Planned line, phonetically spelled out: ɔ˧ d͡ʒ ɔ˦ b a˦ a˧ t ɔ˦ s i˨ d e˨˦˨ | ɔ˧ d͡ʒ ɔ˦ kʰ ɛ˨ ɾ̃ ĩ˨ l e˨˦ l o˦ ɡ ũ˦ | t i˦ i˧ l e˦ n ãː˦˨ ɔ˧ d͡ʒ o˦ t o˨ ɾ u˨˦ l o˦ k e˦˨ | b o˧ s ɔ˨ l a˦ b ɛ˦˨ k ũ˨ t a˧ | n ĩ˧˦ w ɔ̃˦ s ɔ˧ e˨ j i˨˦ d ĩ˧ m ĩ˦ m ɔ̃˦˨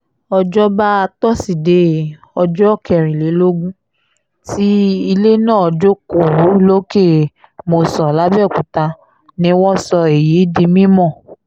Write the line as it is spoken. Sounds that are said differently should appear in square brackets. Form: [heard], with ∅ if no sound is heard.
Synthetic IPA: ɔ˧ d͡ʒ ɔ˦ b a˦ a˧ t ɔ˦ s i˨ d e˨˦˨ | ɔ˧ d͡ʒ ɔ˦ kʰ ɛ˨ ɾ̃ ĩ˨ l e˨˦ l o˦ ɡ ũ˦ | t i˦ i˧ l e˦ n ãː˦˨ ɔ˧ d͡ʒ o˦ [k] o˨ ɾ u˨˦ l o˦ k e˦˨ | [m] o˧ s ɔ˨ l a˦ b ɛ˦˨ k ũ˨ t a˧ | n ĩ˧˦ w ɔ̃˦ s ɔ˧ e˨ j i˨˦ d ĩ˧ m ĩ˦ m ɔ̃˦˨